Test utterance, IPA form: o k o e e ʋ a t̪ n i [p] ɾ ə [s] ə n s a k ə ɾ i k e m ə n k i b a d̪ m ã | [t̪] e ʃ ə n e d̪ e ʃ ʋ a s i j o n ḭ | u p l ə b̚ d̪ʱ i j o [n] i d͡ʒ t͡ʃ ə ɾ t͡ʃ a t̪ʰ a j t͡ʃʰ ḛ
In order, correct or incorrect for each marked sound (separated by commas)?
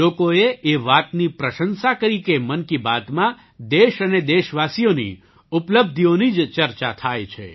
correct, incorrect, incorrect, correct